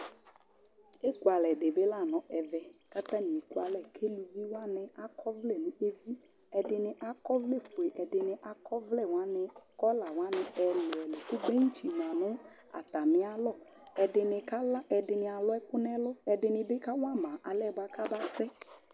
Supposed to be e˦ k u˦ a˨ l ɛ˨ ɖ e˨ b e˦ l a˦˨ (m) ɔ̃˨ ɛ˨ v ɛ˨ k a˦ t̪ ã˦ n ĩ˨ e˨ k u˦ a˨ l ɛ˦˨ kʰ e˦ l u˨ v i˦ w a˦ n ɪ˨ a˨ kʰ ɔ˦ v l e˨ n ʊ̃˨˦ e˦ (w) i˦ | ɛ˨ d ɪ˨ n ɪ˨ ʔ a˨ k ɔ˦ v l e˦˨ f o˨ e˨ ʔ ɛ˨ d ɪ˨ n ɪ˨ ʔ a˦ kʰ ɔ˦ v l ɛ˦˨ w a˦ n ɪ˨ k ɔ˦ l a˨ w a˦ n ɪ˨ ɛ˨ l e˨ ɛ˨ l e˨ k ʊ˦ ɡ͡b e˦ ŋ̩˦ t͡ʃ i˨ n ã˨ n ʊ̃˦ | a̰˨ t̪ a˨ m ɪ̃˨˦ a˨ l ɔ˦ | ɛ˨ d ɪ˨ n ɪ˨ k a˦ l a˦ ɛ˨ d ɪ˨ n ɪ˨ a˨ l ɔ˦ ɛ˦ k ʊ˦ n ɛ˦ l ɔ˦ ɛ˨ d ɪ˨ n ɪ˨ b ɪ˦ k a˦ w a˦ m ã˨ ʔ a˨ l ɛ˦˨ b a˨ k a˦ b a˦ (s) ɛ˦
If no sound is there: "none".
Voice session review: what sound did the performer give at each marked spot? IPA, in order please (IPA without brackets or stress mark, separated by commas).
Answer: n, v, s